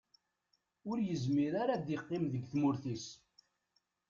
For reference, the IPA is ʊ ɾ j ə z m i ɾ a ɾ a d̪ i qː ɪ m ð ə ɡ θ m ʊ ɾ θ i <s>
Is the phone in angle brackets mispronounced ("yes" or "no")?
no